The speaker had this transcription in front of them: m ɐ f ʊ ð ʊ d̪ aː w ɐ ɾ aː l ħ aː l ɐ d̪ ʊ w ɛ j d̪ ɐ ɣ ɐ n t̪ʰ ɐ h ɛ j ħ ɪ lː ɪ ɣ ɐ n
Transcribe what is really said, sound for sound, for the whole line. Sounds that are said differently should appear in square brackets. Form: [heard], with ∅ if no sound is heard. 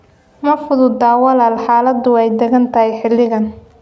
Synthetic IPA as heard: m ɐ f ʊ ð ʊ d̪ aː w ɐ [l] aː l ħ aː l ɐ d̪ ʊ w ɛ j d̪ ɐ ɣ ɐ n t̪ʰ ɐ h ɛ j ħ ɪ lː ɪ ɣ ɐ n